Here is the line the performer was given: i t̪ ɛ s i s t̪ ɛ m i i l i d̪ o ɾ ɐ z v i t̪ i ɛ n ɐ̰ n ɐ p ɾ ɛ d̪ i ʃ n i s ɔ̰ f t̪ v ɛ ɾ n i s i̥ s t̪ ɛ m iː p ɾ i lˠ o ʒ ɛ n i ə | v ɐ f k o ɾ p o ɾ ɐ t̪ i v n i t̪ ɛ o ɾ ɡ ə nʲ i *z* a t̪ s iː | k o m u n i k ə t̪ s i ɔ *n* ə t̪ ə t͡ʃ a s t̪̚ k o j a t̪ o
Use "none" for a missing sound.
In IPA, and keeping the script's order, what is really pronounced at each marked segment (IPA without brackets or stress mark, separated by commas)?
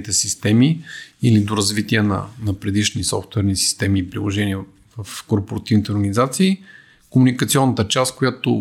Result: z, nː